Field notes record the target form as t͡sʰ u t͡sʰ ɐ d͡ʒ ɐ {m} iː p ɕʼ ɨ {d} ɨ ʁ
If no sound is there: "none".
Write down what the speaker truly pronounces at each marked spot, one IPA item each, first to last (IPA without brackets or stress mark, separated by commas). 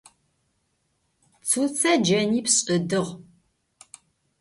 n, d